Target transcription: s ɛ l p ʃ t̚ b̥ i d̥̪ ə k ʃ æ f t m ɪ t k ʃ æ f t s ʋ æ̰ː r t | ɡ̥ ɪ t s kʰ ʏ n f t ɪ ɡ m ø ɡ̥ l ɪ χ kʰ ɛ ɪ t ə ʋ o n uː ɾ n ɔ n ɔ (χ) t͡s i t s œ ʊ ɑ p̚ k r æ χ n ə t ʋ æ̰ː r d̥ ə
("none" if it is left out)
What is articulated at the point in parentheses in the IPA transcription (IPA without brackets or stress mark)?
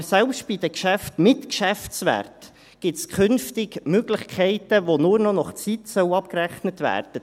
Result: χ